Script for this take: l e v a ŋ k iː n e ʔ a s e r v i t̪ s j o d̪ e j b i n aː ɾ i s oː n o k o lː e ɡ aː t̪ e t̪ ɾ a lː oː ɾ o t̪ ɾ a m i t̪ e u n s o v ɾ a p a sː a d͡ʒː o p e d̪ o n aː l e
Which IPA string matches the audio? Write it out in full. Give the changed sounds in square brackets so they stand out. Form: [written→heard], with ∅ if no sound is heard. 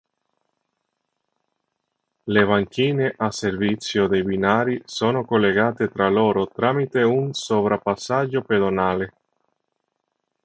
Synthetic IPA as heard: l e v a ŋ k iː n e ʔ a s e r v i t̪ s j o d̪ e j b i n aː ɾ i s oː n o k o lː e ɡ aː t̪ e t̪ ɾ a [lː→l] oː ɾ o t̪ ɾ a m i t̪ e u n s o v ɾ a p a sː a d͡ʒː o p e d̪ o n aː l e

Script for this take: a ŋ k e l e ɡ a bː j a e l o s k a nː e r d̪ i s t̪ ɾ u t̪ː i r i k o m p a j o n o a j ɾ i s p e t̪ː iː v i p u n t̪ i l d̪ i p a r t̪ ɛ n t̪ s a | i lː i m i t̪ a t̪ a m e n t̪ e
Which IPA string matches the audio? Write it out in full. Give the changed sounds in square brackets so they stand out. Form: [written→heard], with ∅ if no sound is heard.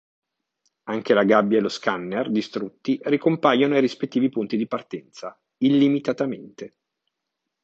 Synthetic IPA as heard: a ŋ k e l [e→a] ɡ a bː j a e l o s k a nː e r d̪ i s t̪ ɾ u t̪ː i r i k o m p a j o n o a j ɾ i s p e t̪ː iː v i p u n t̪ i [l→∅] d̪ i p a r t̪ ɛ n t̪ s a | i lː i m i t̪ a t̪ a m e n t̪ e

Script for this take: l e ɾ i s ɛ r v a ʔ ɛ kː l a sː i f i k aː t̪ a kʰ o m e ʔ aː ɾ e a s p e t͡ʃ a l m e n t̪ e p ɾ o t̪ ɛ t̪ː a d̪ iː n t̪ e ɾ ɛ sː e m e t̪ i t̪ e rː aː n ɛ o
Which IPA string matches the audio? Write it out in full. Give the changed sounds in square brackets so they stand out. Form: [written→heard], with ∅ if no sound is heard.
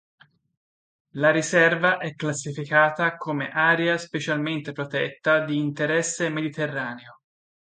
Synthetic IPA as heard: l [e→a] ɾ i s ɛ r v a ʔ ɛ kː l a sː i f i k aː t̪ a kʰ o m e ʔ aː ɾ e a s p e t͡ʃ a l m e n t̪ e p ɾ o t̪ ɛ t̪ː a d̪ iː n t̪ e ɾ ɛ sː e m e [t̪→d̪] i t̪ e rː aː n [ɛ→e] o

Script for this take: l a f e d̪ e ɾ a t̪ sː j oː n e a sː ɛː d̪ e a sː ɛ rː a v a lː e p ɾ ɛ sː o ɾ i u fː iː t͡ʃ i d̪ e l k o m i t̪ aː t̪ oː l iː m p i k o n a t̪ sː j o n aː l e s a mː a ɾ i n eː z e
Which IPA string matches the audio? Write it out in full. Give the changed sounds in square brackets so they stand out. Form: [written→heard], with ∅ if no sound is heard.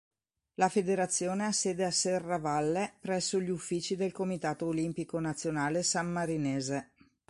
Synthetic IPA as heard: l a f e d̪ e ɾ a t̪ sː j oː n e a sː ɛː d̪ e a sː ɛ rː a v a lː e p ɾ ɛ sː o [ɾ→ʎ] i u fː iː t͡ʃ i d̪ e l k o m i t̪ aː t̪ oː l [iː→i] m p i k o n a t̪ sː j o n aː l e s a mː a ɾ i n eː z e

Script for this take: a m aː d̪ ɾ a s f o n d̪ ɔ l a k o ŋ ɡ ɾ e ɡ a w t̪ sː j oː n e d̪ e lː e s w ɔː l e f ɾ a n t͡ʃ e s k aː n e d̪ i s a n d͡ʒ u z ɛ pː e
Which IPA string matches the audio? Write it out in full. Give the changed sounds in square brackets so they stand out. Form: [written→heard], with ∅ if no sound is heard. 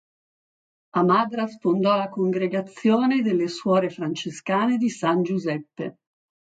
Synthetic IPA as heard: a m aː d̪ ɾ a s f o n d̪ ɔ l a k o ŋ ɡ ɾ e ɡ a [w→∅] t̪ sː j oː n e d̪ e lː e s w ɔː [l→ɾ] e f ɾ a n t͡ʃ e s k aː n e d̪ i s a n d͡ʒ u z ɛ pː e

